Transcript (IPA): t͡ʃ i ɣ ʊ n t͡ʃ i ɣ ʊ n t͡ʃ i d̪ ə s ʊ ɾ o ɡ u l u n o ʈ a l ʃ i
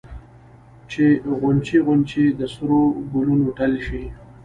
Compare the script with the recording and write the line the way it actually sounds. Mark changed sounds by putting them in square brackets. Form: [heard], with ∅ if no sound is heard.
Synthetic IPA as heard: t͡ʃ [e] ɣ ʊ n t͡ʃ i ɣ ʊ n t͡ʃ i d̪ ə s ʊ ɾ o ɡ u l u n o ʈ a l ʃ i